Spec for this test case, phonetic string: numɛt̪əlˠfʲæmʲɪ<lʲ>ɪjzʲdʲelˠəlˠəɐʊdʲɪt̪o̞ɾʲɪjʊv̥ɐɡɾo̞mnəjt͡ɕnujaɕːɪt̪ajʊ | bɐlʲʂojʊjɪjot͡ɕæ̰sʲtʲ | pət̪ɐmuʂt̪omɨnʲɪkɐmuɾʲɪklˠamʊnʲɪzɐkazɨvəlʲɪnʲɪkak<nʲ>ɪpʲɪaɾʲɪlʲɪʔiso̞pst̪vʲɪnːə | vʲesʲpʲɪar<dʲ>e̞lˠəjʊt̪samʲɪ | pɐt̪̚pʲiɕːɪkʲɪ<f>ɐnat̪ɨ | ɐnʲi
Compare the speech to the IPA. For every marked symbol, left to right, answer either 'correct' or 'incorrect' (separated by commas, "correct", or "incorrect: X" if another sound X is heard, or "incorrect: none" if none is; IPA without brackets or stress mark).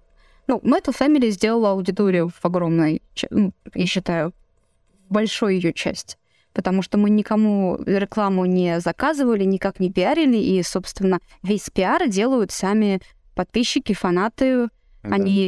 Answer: correct, correct, correct, correct